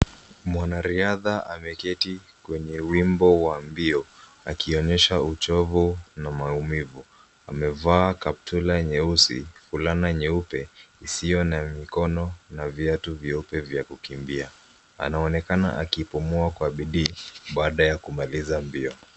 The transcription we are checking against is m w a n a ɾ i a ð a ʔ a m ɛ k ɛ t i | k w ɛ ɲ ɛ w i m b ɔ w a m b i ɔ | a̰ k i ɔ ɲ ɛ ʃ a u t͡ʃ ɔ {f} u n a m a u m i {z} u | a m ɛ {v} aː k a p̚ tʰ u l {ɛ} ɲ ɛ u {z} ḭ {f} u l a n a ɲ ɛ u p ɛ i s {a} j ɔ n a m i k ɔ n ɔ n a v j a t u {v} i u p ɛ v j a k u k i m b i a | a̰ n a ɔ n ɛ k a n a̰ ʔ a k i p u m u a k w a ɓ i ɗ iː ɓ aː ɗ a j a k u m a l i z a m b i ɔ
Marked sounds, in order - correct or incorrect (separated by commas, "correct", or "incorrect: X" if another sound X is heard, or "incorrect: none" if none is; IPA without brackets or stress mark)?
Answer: incorrect: v, incorrect: v, correct, incorrect: a, incorrect: s, correct, incorrect: i, correct